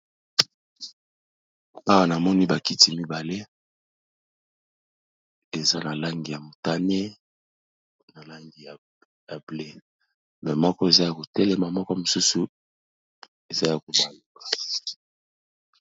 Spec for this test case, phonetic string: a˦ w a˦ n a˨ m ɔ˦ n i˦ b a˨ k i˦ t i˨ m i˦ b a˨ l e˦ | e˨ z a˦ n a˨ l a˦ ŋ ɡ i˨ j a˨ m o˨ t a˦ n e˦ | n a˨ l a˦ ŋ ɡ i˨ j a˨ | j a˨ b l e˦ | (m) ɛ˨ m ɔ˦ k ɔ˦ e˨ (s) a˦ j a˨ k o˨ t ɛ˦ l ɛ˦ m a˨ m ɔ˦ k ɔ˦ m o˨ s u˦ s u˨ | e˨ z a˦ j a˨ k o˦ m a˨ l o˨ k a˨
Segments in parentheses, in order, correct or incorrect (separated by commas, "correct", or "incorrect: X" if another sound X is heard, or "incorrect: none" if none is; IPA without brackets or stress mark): correct, incorrect: z